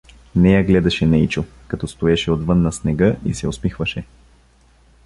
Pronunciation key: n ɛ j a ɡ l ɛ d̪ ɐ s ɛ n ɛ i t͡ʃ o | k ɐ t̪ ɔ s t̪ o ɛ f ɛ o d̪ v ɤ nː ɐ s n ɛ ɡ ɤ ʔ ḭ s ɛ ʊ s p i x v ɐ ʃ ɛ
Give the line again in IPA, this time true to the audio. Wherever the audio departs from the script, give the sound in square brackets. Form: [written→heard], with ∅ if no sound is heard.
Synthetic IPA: n ɛ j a ɡ l ɛ d̪ ɐ [s→ʃ] ɛ n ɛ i t͡ʃ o | k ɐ t̪ ɔ s t̪ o ɛ [f→ʃ] ɛ o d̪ v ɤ nː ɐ s n ɛ ɡ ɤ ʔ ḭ s ɛ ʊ s p i x v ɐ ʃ ɛ